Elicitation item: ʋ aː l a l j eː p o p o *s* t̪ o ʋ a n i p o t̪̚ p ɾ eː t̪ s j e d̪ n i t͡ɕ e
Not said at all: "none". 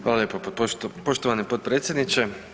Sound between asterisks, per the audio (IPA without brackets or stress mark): ʃ